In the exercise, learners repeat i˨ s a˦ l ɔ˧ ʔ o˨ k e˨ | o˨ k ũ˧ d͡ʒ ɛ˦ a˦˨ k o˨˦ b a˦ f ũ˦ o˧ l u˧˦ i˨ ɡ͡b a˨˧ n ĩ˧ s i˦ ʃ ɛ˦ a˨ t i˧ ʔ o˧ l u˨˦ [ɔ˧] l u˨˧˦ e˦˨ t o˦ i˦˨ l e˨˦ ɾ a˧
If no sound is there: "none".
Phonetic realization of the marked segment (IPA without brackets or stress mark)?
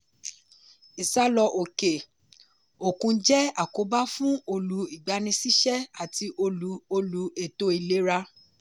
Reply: o˧